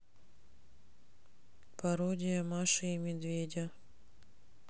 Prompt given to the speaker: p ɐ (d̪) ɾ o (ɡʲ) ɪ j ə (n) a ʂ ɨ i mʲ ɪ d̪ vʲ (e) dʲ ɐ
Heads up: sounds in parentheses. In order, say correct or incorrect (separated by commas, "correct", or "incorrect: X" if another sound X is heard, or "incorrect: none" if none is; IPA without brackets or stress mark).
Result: incorrect: none, incorrect: dʲ, incorrect: m, correct